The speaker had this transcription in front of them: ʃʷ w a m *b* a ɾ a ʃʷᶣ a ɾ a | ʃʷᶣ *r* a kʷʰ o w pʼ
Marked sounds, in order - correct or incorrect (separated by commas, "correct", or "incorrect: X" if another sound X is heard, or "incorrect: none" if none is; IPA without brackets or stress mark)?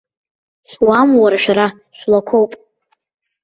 incorrect: w, incorrect: l